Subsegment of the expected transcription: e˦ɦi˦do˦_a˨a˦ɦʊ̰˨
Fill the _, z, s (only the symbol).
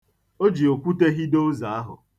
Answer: z